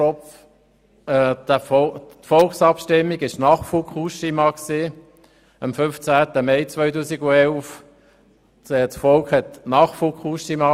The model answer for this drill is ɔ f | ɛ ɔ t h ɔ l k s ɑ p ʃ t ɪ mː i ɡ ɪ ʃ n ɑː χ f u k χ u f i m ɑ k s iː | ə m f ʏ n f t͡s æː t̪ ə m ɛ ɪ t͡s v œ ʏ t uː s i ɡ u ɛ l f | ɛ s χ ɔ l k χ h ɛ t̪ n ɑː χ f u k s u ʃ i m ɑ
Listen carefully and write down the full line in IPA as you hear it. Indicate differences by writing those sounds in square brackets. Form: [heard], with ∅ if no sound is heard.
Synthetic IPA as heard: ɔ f | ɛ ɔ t [f] ɔ l k s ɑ p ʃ t ɪ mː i ɡ ɪ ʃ n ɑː χ f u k χ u [ʃ] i m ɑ k s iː | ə m f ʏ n f t͡s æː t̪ ə m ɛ ɪ t͡s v œ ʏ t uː s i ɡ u ɛ l f | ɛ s [f] ɔ l k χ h ɛ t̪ n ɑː χ f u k [χ] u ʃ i m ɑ